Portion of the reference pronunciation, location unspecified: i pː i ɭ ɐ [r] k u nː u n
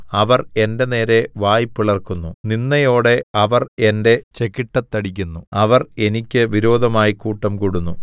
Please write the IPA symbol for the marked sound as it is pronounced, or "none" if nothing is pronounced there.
r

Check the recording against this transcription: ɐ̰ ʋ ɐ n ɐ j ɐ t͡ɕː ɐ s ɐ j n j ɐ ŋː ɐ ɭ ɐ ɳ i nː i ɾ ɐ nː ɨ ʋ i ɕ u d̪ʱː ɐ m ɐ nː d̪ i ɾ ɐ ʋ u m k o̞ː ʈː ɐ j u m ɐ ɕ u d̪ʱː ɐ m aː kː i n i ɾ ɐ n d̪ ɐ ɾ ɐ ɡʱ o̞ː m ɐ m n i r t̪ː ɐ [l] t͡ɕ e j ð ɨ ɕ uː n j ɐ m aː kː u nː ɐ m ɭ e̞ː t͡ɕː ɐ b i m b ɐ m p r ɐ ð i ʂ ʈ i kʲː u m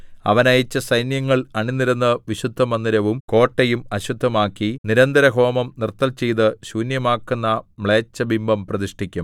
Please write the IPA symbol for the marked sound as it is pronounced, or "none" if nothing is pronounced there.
l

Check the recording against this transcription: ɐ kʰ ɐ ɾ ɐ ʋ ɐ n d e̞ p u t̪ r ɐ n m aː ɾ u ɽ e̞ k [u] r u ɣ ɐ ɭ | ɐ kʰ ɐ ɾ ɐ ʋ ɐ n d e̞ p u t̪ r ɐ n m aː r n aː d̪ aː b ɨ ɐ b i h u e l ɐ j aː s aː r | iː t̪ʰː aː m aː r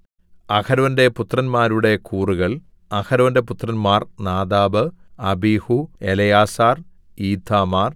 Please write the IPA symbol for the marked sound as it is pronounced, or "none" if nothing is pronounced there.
uː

